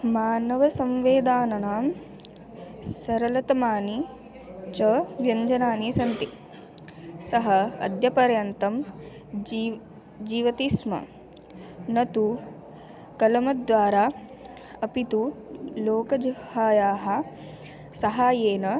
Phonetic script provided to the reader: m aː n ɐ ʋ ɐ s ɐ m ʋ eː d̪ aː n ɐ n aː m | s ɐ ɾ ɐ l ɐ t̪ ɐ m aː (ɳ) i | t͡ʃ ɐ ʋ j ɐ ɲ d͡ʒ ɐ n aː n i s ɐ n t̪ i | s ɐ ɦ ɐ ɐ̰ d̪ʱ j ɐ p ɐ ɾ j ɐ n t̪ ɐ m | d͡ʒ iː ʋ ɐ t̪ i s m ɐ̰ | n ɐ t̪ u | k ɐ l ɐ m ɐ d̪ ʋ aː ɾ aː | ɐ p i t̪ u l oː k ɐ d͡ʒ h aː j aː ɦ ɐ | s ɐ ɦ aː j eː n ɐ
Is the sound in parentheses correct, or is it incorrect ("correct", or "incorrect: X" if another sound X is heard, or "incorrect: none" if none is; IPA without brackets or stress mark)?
incorrect: n